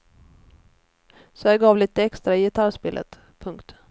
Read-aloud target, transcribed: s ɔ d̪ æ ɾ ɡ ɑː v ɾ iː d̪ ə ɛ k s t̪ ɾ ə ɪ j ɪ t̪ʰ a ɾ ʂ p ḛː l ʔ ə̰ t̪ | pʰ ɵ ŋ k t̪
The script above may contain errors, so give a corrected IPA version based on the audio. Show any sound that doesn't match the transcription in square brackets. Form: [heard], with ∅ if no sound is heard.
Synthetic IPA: s ɔ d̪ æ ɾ ɡ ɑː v [l] iː [t̪] ə ɛ k s t̪ ɾ [a] ɪ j ɪ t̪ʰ a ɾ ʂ p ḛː l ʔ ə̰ t̪ | pʰ ɵ ŋ k t̪